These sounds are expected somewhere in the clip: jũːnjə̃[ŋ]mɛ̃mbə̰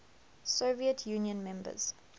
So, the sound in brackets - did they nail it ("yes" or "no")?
no